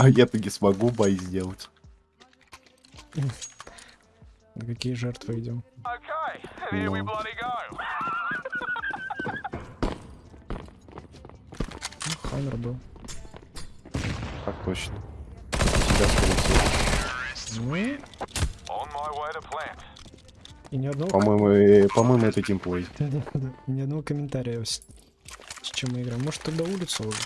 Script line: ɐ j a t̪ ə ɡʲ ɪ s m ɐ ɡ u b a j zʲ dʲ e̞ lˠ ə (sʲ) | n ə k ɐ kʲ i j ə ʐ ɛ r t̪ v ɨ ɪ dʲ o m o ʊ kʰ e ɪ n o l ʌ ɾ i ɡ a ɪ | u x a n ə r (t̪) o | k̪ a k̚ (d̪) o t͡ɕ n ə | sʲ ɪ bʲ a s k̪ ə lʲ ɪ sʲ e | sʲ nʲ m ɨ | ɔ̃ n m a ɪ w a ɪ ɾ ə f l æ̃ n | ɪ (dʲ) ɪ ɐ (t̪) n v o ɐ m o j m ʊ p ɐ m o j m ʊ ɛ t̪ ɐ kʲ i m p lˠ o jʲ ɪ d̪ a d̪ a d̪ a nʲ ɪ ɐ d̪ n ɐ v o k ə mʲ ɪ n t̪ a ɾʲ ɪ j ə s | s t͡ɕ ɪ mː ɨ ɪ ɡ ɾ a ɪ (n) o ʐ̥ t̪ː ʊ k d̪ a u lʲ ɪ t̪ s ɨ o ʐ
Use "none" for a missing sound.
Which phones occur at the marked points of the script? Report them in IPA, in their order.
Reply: tʲ, d̪, t̪, nʲ, d̪, m

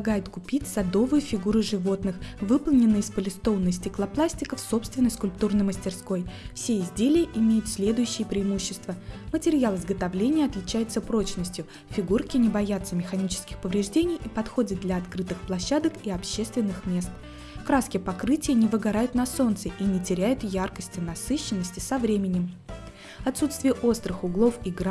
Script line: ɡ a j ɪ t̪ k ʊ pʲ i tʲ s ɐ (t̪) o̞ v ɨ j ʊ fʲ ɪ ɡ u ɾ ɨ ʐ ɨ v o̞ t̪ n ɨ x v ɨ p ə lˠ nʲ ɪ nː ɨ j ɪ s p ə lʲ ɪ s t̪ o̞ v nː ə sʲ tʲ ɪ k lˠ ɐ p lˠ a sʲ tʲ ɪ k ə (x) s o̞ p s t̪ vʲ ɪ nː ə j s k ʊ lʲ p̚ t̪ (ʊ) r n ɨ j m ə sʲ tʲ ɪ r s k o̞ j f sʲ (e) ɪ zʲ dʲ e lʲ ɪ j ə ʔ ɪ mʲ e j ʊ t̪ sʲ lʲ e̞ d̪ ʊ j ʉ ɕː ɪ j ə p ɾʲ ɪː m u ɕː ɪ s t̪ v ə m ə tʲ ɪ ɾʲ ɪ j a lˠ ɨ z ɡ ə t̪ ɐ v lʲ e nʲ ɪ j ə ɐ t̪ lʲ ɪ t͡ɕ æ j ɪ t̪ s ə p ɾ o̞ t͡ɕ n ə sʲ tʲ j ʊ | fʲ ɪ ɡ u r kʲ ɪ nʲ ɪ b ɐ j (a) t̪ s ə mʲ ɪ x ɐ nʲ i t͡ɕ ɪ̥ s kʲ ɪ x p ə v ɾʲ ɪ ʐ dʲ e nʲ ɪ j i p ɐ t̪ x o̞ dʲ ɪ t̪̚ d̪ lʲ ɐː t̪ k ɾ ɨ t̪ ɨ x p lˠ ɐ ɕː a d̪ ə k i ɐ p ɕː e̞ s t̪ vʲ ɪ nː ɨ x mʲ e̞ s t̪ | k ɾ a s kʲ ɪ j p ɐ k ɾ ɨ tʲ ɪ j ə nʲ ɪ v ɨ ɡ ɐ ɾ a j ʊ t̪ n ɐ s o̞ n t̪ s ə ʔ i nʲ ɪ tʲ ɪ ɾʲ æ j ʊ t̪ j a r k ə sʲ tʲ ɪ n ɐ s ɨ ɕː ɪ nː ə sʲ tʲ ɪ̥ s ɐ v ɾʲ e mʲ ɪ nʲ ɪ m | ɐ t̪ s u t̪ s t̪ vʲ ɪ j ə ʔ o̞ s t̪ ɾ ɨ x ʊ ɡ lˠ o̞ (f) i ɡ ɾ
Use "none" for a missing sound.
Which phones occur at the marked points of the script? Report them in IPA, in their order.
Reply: d̪, f, u, e, a, f

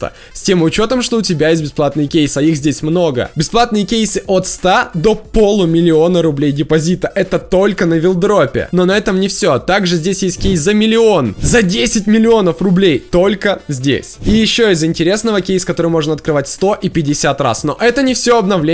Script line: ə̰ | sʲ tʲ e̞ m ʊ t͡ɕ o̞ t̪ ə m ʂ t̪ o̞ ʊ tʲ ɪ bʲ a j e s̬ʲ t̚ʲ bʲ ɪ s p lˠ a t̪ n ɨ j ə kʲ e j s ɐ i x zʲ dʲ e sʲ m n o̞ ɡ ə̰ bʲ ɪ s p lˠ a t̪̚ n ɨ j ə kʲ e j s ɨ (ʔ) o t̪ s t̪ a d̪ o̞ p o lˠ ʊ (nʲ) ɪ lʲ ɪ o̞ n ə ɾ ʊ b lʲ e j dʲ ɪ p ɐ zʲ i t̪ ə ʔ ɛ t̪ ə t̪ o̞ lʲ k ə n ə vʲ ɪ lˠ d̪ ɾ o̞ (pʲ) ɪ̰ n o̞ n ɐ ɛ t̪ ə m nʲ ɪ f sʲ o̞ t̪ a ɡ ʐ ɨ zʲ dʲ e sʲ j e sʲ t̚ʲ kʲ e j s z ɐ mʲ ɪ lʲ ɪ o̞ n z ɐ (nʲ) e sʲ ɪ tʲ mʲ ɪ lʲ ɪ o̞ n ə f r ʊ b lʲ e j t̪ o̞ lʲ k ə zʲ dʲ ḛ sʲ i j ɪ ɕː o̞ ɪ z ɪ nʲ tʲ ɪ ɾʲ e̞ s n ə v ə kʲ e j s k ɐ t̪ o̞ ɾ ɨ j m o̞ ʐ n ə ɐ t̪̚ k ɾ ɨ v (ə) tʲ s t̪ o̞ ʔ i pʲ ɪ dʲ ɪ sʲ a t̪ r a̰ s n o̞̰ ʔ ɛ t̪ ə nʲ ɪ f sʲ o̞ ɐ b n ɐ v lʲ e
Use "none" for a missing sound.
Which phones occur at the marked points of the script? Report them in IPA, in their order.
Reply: ʔ, mʲ, pʲ, dʲ, a

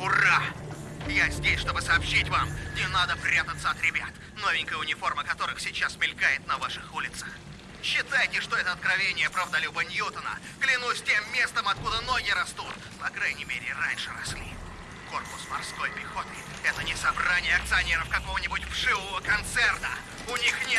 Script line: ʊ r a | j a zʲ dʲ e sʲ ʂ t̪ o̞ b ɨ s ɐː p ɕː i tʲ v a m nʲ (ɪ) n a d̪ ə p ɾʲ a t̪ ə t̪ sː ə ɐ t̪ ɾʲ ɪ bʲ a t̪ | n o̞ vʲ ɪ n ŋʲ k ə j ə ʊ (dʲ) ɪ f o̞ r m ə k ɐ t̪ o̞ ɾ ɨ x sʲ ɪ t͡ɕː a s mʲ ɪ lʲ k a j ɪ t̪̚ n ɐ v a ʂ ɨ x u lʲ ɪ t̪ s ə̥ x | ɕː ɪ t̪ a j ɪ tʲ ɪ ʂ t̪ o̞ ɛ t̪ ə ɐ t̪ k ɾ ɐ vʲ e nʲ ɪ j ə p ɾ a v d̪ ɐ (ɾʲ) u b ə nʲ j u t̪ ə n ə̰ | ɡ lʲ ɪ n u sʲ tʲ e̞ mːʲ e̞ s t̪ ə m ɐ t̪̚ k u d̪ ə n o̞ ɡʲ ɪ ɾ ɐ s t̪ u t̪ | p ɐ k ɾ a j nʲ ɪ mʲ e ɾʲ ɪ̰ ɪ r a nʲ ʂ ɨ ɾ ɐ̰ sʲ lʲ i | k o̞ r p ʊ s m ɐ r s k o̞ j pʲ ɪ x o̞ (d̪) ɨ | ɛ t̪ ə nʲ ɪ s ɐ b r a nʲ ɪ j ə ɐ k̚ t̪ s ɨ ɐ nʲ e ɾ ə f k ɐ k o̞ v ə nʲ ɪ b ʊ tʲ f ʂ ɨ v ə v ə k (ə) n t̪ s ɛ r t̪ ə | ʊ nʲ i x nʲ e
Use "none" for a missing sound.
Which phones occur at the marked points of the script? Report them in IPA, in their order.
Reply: ɪ, nʲ, lʲ, t̪, ɐ

